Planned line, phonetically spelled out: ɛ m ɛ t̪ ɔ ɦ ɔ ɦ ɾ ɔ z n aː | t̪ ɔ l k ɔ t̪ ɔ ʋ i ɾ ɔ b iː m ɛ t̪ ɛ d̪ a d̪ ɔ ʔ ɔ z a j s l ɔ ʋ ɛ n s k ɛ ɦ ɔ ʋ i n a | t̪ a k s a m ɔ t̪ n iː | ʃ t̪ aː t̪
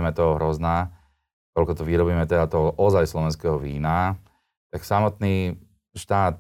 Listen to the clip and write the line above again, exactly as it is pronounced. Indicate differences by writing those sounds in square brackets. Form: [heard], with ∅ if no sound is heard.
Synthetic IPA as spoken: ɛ m ɛ t̪ ɔ ɦ ɔ ɦ ɾ ɔ z n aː | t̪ ɔ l k ɔ t̪ ɔ ʋ i ɾ ɔ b iː m ɛ t̪ ɛ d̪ a [t̪] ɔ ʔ ɔ z a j s l ɔ ʋ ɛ n s k ɛ ɦ ɔ ʋ [iː] n a | t̪ a k s a m ɔ t̪ n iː | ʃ t̪ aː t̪